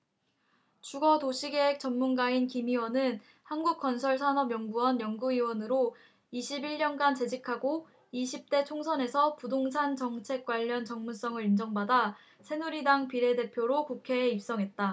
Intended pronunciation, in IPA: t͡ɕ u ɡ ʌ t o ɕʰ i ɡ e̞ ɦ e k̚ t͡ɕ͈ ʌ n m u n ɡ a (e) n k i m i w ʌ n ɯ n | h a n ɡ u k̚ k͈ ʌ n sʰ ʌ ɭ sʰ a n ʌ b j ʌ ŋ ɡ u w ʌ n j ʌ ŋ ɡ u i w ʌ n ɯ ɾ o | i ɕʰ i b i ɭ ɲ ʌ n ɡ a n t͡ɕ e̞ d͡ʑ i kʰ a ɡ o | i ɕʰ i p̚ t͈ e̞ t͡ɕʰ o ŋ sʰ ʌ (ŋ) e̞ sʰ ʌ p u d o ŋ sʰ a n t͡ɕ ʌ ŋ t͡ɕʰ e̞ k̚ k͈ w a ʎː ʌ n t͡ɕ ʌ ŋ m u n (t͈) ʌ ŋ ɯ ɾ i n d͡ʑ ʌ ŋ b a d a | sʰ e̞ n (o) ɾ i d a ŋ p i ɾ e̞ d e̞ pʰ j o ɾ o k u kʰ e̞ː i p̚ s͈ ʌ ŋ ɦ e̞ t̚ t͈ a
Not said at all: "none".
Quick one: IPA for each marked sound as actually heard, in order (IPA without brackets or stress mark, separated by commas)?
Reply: i, n, s͈, u